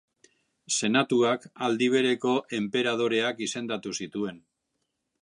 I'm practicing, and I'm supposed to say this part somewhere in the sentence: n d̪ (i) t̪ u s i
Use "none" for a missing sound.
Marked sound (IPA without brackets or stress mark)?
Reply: a